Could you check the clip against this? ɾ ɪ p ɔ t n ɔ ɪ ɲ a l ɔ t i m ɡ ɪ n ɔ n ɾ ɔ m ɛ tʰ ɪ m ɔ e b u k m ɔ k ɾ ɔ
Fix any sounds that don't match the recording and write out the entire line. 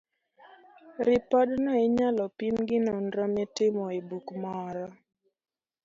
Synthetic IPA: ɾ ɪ p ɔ d n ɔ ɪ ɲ a l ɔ p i m ɡ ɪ n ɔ n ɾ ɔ m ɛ t ɪ m ɔ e b u k m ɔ ɾ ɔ